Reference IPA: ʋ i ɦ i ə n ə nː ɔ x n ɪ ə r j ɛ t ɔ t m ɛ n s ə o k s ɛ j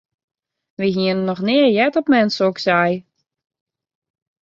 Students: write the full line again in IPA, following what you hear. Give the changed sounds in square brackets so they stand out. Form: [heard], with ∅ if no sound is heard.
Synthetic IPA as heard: ʋ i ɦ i ə n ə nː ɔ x n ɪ ə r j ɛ t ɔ [p] m ɛ n s ə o k s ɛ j